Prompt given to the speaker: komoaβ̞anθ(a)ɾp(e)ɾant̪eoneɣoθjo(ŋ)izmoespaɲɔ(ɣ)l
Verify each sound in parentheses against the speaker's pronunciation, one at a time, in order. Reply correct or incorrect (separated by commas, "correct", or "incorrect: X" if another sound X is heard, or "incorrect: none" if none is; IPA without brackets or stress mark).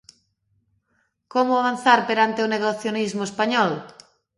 correct, correct, incorrect: n, incorrect: none